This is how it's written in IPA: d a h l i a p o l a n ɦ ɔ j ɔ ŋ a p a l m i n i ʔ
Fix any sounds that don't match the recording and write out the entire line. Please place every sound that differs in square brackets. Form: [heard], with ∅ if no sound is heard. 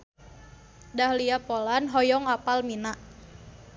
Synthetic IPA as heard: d a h l i a p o l a n ɦ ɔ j ɔ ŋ a p a l m i n [a] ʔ

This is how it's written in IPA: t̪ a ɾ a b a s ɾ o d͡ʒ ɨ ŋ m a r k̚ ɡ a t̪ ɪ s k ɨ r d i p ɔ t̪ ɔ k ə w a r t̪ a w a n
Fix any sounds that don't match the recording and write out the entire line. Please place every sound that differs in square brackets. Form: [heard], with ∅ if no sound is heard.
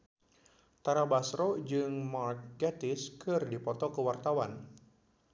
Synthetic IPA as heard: t̪ a ɾ a b a s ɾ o d͡ʒ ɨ ŋ m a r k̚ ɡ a t̪ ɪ s k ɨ r d i p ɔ t̪ ɔ k ə w a r t̪ a w a n

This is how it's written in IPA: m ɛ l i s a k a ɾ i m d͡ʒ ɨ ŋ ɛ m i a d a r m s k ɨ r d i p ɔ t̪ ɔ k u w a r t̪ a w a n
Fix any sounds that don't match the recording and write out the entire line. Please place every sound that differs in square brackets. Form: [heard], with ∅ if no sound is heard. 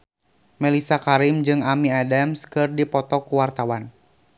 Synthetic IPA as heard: m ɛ l i s a k a ɾ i m d͡ʒ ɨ ŋ [a] m i a d a [∅] m s k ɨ r d i p ɔ t̪ ɔ k u w a r t̪ a w a n

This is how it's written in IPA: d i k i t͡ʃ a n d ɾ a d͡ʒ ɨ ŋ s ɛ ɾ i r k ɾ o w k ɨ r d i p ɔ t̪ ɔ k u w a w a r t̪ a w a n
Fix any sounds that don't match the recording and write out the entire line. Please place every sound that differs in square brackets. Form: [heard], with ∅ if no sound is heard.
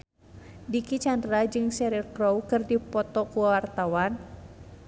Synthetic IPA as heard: d i k i t͡ʃ a n d ɾ a d͡ʒ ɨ ŋ s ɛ ɾ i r k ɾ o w k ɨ r d i p ɔ t̪ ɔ k u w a w a r t̪ a w a n

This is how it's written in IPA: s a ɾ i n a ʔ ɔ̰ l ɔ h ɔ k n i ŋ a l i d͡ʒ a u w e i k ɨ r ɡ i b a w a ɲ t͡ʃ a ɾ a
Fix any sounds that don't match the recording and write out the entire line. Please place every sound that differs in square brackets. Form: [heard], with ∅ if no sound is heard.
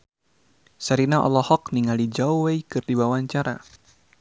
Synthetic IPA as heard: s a ɾ i n a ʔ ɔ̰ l ɔ h ɔ k n i ŋ a l i d͡ʒ a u w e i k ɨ r [d] i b a w a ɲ t͡ʃ a ɾ a

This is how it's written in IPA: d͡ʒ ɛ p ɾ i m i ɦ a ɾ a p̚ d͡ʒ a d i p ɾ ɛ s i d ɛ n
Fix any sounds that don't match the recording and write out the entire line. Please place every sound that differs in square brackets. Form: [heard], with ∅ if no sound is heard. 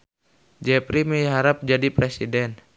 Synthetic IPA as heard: d͡ʒ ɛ p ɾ i m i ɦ a ɾ a p̚ d͡ʒ a d i p ɾ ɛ s i d ɛ n

